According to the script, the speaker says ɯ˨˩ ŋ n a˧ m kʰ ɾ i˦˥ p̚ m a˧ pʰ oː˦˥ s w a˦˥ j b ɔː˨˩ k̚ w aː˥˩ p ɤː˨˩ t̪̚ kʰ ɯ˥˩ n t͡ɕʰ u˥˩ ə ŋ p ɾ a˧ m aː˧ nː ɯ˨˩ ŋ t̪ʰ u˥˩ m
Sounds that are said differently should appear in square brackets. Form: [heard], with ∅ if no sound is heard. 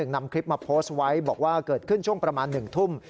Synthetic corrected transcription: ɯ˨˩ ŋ n a˧ m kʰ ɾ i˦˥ p̚ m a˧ pʰ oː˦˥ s w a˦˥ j b ɔː˨˩ k̚ w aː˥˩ [k] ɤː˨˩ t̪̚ kʰ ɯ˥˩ n t͡ɕʰ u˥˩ ə ŋ p ɾ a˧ m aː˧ nː ɯ˨˩ ŋ t̪ʰ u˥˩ m